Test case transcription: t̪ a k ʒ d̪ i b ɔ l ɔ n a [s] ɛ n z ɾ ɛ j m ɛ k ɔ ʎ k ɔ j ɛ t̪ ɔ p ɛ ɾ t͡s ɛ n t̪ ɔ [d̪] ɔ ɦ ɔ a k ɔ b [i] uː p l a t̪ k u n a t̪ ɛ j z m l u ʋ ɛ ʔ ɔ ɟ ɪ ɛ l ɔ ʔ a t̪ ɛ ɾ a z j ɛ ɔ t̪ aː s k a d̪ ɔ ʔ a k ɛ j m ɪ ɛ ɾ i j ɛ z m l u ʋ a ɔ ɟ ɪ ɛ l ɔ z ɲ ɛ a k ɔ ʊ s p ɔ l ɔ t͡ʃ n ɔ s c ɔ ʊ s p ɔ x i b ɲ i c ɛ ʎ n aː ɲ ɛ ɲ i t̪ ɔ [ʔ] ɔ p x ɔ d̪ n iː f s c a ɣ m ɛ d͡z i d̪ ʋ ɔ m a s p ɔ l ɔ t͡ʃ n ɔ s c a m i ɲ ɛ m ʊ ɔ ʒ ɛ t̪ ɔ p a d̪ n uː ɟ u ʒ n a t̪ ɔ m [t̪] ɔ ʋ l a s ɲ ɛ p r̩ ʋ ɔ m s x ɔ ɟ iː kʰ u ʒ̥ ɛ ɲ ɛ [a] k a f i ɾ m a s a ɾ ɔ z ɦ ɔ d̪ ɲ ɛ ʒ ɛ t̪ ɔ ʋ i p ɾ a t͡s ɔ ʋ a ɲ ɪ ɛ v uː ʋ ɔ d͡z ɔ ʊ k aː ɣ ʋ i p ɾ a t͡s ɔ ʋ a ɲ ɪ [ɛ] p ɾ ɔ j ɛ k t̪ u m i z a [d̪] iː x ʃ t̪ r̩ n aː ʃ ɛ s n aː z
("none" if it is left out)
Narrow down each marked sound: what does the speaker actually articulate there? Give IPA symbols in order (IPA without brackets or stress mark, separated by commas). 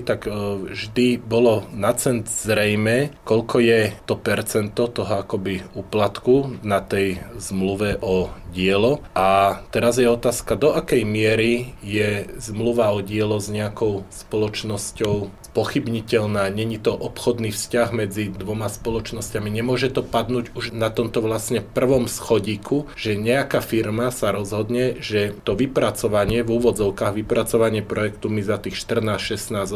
t͡s, t̪, i, ʔ, t̪, a, ɛ, t̪